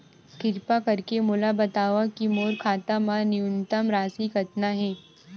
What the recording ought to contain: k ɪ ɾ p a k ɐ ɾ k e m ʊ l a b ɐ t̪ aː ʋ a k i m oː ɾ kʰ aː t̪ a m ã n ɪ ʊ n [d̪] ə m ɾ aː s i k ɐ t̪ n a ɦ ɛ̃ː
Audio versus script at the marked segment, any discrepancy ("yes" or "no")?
yes